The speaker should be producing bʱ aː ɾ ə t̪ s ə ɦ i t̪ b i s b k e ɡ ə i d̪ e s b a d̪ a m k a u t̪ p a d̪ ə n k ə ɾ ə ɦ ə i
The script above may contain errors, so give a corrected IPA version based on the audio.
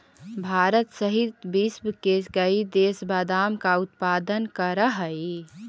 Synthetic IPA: bʱ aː ɾ ə t̪ s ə ɦ i t̪ b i s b k e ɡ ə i d̪ e s b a d̪ a m k a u t̪ p a d̪ ə n k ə ɾ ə ɦ ə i

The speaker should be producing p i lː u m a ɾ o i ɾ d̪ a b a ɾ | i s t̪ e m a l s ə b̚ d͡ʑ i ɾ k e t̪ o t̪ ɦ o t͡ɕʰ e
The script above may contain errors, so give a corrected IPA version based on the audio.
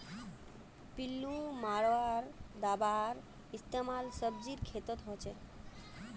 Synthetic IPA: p i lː u m a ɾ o a ɾ d̪ a b a ɾ | i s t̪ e m a l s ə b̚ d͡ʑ i ɾ kʰ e t̪ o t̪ ɦ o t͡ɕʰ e

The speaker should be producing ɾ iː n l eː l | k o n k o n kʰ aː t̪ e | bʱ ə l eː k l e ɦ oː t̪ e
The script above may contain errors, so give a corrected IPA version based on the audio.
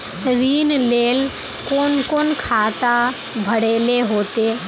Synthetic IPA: ɾ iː n l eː l | k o n k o n kʰ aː t̪ a | bʱ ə ɽ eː l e ɦ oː t̪ e

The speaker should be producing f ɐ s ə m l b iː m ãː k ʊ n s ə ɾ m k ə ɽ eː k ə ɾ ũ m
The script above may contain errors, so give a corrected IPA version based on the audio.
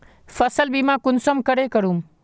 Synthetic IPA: f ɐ s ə l b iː m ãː k ʊ n s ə m k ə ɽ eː k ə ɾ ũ m

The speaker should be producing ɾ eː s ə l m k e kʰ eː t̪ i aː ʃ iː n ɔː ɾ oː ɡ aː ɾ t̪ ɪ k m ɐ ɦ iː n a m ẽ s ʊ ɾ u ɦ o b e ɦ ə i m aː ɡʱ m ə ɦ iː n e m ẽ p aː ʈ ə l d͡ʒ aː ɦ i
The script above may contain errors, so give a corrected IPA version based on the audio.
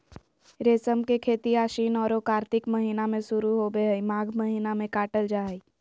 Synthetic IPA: ɾ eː s ə m k e kʰ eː t̪ i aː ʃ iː n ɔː ɾ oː k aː ɾ t̪ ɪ k m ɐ ɦ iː n a m ẽ s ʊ ɾ u ɦ o b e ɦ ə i m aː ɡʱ m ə ɦ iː n a m ẽ k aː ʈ ə l d͡ʒ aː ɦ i

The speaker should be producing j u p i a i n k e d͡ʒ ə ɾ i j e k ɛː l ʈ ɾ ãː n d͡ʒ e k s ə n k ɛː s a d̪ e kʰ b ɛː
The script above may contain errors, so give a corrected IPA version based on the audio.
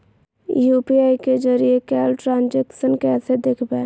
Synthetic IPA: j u p i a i k e d͡ʒ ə ɾ i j e k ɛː l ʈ ɾ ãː n d͡ʒ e k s ə n k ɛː s e d̪ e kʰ b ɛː

